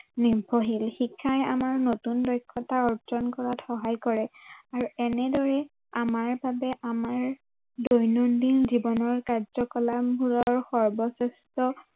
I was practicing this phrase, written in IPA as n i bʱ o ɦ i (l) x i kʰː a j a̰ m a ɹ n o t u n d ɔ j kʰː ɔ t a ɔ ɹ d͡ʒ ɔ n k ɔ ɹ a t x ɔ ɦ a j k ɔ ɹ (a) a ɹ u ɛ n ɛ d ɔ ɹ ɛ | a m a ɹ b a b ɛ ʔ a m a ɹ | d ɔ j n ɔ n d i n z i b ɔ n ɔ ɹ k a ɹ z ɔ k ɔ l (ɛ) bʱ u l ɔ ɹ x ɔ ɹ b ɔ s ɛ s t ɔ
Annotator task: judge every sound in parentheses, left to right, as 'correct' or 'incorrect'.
correct, incorrect: ɛ, incorrect: a

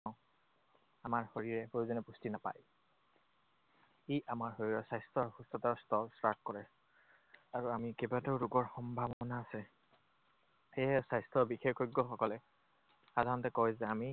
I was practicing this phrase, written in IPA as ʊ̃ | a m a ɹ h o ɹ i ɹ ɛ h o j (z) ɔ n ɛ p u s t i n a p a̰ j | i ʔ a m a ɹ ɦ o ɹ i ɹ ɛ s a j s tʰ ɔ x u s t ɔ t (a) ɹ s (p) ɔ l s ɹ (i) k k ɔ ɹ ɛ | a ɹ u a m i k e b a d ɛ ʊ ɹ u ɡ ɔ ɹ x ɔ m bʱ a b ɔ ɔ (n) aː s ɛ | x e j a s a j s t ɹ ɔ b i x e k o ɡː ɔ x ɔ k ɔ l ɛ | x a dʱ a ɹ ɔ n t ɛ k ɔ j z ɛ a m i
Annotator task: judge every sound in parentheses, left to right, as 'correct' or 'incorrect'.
correct, correct, incorrect: t, incorrect: a, correct

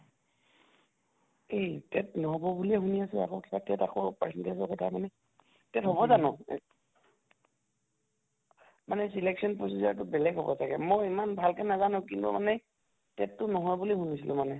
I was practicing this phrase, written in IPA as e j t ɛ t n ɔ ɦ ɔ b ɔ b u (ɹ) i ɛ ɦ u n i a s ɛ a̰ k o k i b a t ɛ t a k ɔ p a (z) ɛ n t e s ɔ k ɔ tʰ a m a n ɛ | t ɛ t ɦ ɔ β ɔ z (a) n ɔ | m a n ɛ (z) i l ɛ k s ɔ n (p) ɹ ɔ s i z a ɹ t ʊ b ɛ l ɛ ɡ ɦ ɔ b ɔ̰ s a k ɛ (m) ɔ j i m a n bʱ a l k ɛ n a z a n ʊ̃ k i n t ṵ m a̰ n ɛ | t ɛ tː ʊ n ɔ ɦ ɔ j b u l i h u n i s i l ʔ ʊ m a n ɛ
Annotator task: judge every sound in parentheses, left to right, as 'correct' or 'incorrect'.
incorrect: l, incorrect: s, correct, incorrect: s, correct, correct

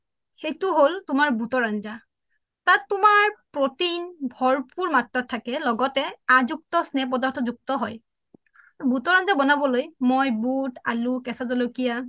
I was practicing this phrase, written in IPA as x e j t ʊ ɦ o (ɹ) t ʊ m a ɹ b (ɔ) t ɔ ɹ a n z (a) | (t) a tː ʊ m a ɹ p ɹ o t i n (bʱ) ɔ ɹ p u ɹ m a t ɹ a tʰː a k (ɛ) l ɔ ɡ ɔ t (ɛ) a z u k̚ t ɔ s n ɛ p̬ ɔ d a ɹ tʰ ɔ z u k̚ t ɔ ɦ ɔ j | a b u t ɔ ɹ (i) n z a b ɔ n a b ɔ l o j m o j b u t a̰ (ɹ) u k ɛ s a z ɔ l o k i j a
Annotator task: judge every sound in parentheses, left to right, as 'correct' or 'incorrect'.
incorrect: l, incorrect: u, correct, correct, correct, correct, correct, incorrect: a, incorrect: l

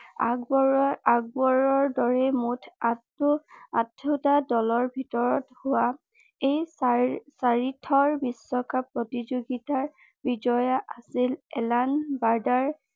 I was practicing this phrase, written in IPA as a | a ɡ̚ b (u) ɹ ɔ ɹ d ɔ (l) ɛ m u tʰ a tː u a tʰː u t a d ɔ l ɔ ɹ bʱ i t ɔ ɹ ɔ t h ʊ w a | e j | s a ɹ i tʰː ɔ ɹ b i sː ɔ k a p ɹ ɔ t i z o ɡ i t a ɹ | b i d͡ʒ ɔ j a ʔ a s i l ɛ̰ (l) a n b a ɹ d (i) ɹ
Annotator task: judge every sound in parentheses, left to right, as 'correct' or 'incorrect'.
incorrect: ɔ, incorrect: ɹ, correct, incorrect: a

